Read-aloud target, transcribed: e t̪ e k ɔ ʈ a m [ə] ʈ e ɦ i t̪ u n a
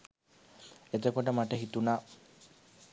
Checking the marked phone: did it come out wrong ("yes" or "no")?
yes